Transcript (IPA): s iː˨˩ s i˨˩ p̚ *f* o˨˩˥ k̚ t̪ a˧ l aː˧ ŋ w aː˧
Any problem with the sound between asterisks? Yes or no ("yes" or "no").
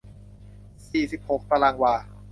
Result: yes